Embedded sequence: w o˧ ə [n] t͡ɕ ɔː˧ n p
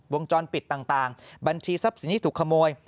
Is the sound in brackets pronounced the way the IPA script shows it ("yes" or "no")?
no